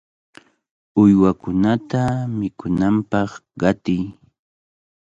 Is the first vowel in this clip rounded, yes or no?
yes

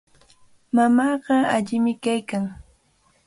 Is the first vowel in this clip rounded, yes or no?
no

